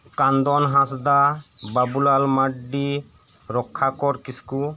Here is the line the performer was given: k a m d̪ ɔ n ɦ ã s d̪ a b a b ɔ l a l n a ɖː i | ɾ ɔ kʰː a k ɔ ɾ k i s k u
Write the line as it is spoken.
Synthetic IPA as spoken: k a n d̪ ɔ n ɦ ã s d̪ a b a b u l a l m a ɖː i | ɾ ɔ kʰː a k ɔ ɾ k i s k u